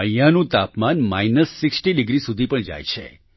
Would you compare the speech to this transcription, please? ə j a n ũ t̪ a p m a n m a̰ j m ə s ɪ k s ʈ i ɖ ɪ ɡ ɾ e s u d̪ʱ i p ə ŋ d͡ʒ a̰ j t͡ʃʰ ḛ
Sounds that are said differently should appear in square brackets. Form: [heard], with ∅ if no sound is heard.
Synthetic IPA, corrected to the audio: ə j a n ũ t̪ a p m a n m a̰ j [n] ə [sː] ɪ k s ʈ i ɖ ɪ ɡ ɾ [i] s u d̪ʱ i p ə [ɳ] d͡ʒ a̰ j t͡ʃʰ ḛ